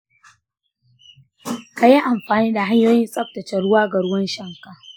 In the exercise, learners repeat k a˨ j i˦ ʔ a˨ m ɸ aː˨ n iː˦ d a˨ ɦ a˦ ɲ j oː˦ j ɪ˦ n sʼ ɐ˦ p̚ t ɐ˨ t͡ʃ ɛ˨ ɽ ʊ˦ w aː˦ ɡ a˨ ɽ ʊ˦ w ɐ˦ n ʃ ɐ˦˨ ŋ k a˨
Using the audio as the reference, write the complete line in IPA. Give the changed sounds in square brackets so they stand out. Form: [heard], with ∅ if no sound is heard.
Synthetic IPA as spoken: k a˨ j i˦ ʔ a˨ m ɸ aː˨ n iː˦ d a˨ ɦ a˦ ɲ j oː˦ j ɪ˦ n sʼ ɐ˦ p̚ t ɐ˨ t͡ʃ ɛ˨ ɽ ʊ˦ w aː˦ ɡ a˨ ɽ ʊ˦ w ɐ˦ n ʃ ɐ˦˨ ŋ k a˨